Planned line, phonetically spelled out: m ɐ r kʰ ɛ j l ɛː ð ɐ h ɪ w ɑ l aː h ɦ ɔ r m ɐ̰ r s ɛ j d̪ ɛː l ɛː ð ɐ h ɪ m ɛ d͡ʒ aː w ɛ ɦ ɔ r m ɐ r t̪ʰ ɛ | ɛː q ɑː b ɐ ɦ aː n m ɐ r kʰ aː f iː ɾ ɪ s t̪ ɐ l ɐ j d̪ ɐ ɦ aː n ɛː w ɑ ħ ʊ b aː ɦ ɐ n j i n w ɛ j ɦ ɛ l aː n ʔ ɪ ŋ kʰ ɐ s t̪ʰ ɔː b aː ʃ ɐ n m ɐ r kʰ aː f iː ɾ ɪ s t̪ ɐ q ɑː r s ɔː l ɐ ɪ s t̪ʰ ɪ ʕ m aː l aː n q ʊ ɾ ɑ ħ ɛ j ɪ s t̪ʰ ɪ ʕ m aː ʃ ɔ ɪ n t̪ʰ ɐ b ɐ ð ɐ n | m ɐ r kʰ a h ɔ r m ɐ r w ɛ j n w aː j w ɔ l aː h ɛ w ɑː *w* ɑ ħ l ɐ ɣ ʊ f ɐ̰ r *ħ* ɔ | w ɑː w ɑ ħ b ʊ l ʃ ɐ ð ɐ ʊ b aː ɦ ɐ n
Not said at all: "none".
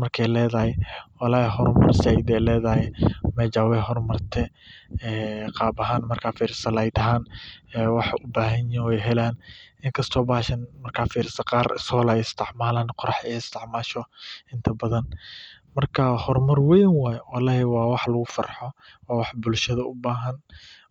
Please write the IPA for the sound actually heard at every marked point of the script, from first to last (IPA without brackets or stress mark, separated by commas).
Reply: w, ħ